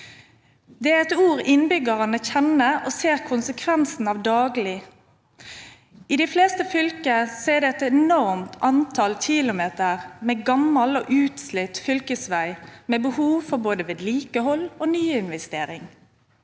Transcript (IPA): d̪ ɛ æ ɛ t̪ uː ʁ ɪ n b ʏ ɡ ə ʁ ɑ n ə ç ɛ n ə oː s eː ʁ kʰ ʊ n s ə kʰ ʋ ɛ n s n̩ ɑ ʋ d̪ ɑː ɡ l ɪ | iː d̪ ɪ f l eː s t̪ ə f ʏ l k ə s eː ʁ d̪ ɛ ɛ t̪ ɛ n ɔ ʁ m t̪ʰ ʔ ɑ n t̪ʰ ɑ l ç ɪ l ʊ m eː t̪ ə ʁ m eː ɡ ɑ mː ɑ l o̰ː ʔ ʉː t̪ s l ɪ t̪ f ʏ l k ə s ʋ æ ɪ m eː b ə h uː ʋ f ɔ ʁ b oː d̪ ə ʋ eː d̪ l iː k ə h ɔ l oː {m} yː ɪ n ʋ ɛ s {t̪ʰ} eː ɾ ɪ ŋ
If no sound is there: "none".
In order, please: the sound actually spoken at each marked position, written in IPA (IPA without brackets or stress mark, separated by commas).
n, t̪